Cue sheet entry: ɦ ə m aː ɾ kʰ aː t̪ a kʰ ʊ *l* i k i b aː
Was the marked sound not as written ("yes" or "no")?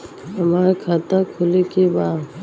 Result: no